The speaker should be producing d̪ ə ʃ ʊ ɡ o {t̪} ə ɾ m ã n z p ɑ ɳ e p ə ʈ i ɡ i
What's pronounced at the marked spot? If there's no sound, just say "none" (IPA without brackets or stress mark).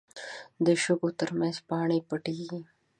t̪